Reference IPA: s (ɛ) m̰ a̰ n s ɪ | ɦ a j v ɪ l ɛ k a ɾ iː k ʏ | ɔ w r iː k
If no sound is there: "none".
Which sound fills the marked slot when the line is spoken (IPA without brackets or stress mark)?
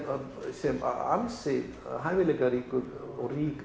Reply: ɛ